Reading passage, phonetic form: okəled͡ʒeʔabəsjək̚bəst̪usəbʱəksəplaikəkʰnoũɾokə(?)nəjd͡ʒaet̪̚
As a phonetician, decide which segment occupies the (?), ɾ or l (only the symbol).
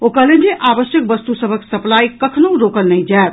l